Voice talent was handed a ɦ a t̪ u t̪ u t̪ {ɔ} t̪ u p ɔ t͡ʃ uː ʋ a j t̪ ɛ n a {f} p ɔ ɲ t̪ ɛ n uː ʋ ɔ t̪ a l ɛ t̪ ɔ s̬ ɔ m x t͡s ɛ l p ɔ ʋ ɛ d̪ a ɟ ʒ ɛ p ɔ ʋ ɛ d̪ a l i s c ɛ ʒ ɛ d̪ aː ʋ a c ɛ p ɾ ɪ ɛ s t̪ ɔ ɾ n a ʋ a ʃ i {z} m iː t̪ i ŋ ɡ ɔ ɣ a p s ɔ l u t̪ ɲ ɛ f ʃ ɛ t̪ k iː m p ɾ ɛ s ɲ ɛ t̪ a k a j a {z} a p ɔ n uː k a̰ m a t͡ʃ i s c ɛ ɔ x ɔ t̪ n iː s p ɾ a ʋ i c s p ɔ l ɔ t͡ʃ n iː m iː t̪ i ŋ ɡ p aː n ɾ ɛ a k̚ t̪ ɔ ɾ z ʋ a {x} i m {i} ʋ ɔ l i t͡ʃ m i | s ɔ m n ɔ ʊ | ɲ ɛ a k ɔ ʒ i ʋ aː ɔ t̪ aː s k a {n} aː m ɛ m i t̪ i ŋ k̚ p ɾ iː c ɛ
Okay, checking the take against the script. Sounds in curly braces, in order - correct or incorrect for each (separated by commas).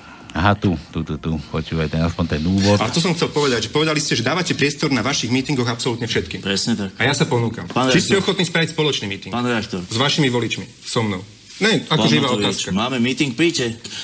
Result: incorrect, incorrect, incorrect, incorrect, incorrect, correct, incorrect